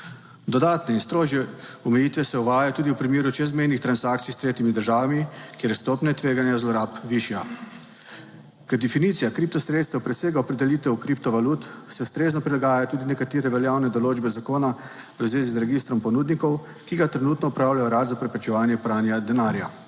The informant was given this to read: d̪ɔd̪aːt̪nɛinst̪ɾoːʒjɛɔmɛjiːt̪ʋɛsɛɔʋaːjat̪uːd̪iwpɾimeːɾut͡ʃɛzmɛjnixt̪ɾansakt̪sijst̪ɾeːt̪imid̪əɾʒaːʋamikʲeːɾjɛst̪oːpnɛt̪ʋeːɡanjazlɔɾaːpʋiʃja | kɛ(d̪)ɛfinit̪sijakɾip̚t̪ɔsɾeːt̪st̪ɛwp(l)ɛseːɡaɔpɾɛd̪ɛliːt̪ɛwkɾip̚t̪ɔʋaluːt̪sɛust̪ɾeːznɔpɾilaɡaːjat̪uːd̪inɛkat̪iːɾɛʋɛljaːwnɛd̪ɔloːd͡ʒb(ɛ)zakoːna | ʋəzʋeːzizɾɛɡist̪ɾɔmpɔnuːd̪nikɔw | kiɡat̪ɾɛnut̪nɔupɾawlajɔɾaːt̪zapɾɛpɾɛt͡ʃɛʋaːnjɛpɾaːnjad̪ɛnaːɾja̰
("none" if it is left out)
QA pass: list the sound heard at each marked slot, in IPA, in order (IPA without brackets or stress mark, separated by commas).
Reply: d̪, ɾ, ɛ